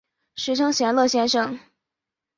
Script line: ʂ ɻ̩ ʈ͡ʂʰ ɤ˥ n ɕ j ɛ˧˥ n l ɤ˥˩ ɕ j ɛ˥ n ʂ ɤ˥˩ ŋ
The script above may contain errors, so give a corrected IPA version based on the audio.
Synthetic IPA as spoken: ʂ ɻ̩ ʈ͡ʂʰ ɤ˥ ŋ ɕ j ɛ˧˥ n l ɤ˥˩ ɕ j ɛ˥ n ʂ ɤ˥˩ ŋ

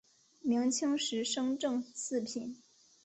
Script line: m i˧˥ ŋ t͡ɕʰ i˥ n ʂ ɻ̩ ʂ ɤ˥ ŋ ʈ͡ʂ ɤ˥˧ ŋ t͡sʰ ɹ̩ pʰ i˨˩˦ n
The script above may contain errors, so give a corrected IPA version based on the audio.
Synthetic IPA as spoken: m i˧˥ ŋ t͡ɕʰ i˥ ŋ ʂ ɻ̩ ʂ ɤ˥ ŋ ʈ͡ʂ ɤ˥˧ ŋ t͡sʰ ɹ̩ pʰ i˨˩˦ n

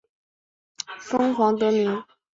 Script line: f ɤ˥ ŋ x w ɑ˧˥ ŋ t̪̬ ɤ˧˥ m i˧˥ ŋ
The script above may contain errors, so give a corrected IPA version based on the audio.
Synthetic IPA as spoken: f ɤ˥ ŋ x w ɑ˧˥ ŋ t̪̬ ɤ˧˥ m i˧˥ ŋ

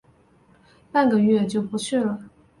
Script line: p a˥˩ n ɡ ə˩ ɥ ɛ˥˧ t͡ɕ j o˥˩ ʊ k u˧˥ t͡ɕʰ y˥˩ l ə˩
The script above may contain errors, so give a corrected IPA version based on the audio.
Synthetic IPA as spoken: p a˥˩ n ɡ ə˩ ɥ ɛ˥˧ t͡ɕ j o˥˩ ʊ p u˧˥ t͡ɕʰ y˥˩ l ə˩

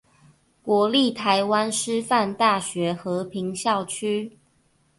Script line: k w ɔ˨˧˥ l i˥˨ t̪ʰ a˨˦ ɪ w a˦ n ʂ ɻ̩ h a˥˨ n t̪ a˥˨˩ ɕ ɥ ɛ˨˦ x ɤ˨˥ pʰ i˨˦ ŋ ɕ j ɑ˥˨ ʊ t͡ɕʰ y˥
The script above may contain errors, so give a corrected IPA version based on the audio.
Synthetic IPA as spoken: k w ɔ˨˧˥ l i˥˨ t̪ʰ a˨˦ ɪ w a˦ n ʂ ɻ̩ f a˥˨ n t̪ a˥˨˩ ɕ ɥ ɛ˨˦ x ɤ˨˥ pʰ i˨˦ ŋ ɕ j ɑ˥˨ ʊ t͡ɕʰ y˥

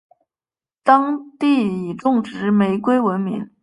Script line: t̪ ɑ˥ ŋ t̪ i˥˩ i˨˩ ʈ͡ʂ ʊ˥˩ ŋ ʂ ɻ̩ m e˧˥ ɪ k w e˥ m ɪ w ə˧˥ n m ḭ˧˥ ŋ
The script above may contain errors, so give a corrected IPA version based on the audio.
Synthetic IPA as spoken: t̪ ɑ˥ ŋ t̪ i˥˩ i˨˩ ʈ͡ʂ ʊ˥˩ ŋ ʈ͡ʂ ɻ̩ m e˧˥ ɪ k w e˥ ɪ w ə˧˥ n m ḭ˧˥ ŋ

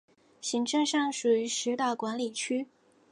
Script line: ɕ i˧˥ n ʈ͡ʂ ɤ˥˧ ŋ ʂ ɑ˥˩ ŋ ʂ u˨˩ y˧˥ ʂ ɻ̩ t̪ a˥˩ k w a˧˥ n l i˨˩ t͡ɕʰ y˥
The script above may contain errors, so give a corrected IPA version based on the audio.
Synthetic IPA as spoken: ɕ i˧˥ ŋ ʈ͡ʂ ɤ˥˧ ŋ ʂ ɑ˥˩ ŋ ʂ u˨˩ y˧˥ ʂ ɻ̩ t̪ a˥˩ k w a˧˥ n l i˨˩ t͡ɕʰ y˥

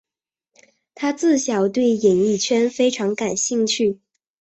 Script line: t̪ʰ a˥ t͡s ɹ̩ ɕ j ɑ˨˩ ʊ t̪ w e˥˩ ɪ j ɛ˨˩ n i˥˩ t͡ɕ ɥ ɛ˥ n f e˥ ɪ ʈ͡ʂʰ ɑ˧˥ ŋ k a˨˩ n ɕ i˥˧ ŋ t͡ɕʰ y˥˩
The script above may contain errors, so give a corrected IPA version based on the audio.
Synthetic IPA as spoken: t̪ʰ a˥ t͡s ɹ̩ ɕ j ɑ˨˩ ʊ t̪ w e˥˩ ɪ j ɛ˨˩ n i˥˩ t͡ɕʰ ɥ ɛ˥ n f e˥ ɪ ʈ͡ʂʰ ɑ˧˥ ŋ k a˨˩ n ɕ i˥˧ ŋ t͡ɕʰ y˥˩

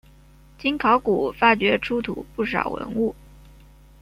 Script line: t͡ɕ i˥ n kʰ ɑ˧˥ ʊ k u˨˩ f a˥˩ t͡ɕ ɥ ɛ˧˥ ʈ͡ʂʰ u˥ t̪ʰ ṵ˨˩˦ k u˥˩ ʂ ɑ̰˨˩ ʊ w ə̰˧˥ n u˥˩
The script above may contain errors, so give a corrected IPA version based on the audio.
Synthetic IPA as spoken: t͡ɕ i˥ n kʰ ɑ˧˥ ʊ k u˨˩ f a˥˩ t͡ɕ ɥ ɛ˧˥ ʈ͡ʂʰ u˥ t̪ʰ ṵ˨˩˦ p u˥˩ ʂ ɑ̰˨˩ ʊ w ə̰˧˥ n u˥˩

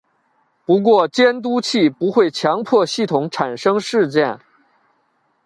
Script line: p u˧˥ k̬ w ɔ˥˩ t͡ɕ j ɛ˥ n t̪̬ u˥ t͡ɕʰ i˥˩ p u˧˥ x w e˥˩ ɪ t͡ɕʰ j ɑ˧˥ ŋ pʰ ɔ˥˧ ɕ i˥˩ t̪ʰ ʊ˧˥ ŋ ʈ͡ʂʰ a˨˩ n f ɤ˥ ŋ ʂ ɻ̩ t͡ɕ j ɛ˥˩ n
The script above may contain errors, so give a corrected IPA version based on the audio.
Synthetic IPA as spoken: p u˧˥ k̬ w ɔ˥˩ t͡ɕ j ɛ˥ n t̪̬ u˥ t͡ɕʰ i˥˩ p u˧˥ x w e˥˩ ɪ t͡ɕʰ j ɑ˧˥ ŋ pʰ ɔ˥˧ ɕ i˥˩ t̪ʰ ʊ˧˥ ŋ ʈ͡ʂʰ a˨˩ n ʂ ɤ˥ ŋ ʂ ɻ̩ t͡ɕ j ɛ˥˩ n

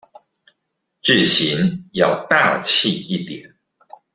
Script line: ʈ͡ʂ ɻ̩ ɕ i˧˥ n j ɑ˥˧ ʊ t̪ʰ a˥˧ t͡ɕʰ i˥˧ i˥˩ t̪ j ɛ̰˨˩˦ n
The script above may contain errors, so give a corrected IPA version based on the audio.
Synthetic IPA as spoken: ʈ͡ʂ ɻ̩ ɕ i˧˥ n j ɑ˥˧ ʊ t̪ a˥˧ t͡ɕʰ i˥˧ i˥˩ t̪ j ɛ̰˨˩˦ n

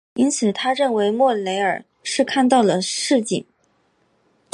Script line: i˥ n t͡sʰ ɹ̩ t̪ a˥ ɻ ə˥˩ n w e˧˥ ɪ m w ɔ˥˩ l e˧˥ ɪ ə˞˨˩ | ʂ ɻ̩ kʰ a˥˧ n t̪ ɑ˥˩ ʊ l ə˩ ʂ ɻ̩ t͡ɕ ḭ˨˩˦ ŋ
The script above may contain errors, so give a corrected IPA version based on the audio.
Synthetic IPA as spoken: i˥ n t͡sʰ ɹ̩ t̪ʰ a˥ ɻ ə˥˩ n w e˧˥ ɪ m w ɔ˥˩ l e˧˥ ɪ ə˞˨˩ | ʂ ɻ̩ kʰ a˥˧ n t̪ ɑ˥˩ ʊ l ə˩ ʂ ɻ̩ t͡ɕ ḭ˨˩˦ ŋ

